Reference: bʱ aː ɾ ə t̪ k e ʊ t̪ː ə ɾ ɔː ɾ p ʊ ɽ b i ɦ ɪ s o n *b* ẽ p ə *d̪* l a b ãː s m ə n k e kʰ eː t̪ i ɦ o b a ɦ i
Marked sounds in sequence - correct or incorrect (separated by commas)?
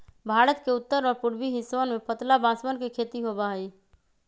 incorrect, incorrect